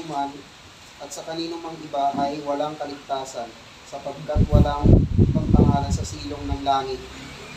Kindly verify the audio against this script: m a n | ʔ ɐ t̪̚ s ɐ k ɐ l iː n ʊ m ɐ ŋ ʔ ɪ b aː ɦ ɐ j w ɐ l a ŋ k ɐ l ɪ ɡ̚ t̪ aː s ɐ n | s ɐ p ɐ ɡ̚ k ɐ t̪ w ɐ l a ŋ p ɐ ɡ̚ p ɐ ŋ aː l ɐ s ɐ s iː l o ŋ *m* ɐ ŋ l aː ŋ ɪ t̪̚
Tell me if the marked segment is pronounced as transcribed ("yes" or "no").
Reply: no